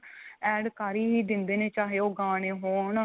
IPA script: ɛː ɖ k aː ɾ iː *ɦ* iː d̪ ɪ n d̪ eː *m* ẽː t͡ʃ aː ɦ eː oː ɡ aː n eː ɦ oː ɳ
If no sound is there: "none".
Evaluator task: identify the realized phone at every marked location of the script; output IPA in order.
ɦ, n

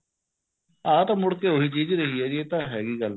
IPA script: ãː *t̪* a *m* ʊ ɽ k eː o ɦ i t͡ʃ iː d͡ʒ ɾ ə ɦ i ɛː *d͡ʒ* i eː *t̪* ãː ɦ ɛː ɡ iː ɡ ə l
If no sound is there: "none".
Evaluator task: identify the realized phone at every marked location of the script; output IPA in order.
t̪, m, d͡ʒ, t̪

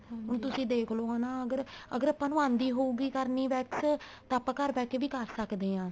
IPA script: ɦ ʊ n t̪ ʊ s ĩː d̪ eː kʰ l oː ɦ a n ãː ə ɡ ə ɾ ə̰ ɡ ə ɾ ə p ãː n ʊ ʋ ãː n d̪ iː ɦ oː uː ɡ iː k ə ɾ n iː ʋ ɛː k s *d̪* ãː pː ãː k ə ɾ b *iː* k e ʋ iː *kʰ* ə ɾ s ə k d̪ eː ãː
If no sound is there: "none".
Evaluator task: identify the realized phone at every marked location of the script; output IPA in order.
t̪, ɛː, k

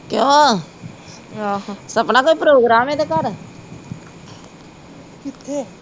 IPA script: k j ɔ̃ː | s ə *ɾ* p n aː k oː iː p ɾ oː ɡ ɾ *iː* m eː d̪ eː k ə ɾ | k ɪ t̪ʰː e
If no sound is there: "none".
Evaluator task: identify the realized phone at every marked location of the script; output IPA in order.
none, aː

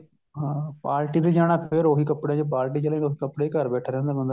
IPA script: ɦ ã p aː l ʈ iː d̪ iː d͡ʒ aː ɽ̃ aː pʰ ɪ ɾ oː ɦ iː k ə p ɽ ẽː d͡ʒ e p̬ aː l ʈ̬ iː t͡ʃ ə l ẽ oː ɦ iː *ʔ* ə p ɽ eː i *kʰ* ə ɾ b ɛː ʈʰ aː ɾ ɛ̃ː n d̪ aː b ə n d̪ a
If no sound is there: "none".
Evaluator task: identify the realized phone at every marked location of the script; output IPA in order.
k, k

